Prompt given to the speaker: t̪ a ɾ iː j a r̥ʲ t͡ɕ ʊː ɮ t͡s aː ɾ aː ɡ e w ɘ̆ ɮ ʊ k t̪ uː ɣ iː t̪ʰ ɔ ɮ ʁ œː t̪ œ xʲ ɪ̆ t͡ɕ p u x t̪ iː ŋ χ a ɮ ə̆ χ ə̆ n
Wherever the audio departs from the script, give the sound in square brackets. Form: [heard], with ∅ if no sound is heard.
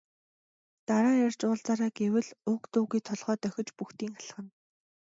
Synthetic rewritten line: t̪ a ɾ [aː] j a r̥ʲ t͡ɕ ʊː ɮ t͡s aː ɾ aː ɡ e w ɘ̆ ɮ ʊ k t̪ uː ɣ iː t̪ʰ ɔ ɮ ʁ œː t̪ œ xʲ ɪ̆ t͡ɕ p u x t̪ iː ŋ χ a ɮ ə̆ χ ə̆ n